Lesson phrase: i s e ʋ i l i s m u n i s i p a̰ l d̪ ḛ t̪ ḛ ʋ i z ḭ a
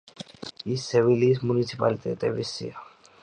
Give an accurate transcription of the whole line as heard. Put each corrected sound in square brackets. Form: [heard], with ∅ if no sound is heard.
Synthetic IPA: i s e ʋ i l i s m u n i s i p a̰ l [t̪] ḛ t̪ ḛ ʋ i [s] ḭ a